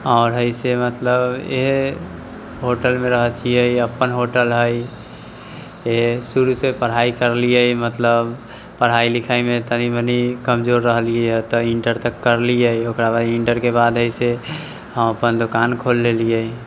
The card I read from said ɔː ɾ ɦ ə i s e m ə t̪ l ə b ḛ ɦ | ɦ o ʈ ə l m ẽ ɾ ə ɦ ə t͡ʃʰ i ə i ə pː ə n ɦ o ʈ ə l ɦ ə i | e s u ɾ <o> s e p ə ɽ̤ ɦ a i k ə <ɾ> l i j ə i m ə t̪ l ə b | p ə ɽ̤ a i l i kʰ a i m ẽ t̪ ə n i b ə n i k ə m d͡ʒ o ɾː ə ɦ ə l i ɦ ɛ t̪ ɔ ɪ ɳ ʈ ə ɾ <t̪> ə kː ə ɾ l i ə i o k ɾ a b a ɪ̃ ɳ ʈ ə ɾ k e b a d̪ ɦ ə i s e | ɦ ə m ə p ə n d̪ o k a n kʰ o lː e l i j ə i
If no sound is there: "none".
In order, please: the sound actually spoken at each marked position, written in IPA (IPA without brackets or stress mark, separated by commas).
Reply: u, ɾ, t̪